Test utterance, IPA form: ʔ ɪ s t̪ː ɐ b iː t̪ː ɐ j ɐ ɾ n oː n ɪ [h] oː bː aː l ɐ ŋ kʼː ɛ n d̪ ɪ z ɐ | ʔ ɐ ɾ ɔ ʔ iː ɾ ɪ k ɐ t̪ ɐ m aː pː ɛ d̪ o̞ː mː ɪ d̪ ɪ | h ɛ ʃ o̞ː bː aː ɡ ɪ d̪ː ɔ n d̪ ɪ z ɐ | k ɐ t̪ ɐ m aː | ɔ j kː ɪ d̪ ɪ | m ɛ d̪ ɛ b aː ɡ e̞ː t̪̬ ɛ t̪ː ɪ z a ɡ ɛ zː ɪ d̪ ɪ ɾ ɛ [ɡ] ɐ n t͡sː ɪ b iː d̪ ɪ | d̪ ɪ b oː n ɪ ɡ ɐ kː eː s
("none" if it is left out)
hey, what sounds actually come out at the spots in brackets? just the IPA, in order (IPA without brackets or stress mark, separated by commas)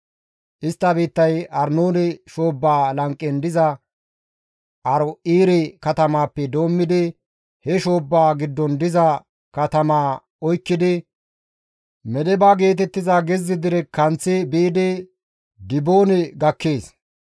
ʃ, k